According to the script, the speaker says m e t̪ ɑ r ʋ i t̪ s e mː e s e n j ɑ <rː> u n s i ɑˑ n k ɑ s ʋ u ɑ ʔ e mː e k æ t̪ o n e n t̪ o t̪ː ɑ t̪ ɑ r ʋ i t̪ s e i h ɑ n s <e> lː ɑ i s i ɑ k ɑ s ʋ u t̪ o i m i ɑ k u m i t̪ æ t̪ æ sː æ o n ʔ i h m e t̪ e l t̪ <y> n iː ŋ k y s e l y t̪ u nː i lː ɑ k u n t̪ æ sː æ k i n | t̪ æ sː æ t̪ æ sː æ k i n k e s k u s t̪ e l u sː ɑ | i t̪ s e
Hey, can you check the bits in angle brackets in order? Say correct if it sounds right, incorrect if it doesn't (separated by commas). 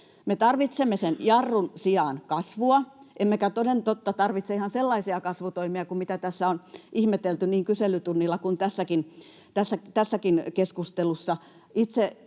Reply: correct, correct, correct